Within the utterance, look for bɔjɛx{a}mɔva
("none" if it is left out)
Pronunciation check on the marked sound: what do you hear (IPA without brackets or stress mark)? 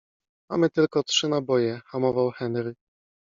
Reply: a